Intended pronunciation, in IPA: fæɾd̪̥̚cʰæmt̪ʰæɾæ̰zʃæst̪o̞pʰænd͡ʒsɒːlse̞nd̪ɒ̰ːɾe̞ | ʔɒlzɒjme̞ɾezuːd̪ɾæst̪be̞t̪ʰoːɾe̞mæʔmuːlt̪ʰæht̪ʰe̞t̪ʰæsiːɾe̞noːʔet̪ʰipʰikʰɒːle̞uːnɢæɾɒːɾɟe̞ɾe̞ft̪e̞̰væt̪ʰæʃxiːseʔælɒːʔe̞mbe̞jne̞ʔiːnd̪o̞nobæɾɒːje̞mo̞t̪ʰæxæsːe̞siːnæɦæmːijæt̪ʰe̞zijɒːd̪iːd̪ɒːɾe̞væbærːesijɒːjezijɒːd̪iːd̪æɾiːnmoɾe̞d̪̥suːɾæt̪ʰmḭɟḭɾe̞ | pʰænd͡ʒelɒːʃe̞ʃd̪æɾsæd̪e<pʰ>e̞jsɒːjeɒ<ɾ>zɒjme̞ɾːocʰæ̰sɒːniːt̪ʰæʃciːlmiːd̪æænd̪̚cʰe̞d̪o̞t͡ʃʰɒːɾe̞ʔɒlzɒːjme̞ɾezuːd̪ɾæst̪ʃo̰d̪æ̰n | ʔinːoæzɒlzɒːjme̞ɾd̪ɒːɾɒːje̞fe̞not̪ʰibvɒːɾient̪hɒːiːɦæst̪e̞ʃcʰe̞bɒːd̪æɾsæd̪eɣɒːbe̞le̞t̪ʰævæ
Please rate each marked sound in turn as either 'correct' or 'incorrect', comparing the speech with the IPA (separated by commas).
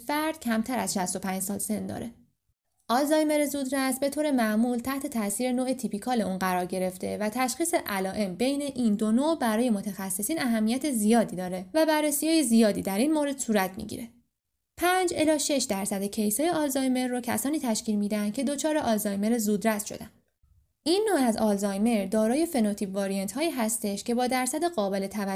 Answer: incorrect, incorrect